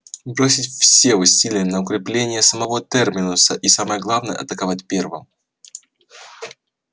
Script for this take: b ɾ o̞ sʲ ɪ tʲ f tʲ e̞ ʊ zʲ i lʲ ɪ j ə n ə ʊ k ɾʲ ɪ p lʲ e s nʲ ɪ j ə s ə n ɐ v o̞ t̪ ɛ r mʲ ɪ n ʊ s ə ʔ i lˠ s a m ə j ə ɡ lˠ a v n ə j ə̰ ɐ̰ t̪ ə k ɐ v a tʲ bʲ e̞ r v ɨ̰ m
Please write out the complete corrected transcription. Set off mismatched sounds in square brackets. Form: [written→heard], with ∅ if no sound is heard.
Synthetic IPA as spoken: b ɾ o̞ sʲ ɪ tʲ f [tʲ→sʲ] e̞ ʊ [zʲ→sʲ] i lʲ ɪ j ə n ə ʊ k ɾʲ ɪ p lʲ e [s→∅] nʲ ɪ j ə s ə [n→m] ɐ v o̞ t̪ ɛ r mʲ ɪ n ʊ s ə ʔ i [lˠ→∅] s a m ə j ə ɡ lˠ a v n ə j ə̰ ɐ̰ t̪ ə k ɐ v a tʲ [bʲ→pʲ] e̞ r v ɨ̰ m